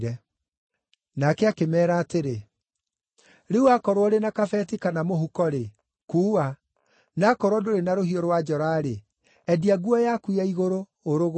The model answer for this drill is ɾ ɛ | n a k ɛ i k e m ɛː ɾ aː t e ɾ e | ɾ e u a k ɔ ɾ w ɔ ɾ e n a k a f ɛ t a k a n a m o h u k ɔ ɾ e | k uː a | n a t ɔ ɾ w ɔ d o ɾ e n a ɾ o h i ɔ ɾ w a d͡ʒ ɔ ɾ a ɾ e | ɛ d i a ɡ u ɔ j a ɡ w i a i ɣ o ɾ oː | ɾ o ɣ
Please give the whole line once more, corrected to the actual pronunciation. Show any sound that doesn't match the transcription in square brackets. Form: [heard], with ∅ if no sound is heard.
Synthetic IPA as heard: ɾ ɛ | n a k ɛ [a] k e m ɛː ɾ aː t e ɾ e | ɾ e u a k ɔ ɾ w ɔ ɾ e n a k a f ɛ t [i] k a n a m o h u k ɔ ɾ e | k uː a | n a [k] ɔ ɾ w ɔ d o ɾ e n a ɾ o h i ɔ ɾ w a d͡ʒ ɔ ɾ a ɾ e | ɛ d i a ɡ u ɔ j a [k] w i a i ɣ o ɾ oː | ɾ o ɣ